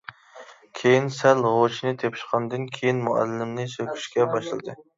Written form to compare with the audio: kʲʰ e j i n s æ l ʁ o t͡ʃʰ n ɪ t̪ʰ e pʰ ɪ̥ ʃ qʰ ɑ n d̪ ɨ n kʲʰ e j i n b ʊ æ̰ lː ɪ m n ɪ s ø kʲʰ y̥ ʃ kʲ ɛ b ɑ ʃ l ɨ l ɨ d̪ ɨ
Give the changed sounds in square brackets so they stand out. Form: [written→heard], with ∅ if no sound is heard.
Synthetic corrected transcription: kʲʰ e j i n s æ l ʁ o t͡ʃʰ n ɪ t̪ʰ e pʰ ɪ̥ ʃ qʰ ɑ n d̪ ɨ n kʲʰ e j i n [b→m] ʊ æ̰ lː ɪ m n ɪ s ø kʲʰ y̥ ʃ kʲ ɛ b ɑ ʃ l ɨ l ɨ d̪ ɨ